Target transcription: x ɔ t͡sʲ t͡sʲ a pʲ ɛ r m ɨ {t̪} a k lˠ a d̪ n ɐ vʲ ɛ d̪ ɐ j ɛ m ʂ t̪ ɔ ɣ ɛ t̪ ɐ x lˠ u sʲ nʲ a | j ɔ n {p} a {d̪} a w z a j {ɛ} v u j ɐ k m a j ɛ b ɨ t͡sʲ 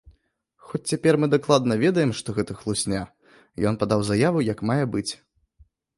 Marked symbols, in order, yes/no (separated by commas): no, yes, yes, no